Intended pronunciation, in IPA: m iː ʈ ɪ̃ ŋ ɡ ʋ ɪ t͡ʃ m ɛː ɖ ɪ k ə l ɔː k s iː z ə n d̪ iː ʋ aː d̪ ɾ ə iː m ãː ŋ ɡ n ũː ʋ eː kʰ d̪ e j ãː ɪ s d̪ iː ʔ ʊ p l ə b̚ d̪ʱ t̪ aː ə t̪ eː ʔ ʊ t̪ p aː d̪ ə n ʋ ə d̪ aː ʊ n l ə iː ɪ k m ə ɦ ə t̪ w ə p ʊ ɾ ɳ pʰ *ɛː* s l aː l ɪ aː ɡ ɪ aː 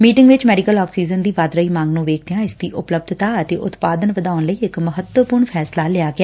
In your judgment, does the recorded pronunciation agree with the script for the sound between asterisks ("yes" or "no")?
yes